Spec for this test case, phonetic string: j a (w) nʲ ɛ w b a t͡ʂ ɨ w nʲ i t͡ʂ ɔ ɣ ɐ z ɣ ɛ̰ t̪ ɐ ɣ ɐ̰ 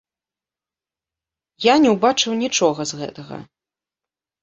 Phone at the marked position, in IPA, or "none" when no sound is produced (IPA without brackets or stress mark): none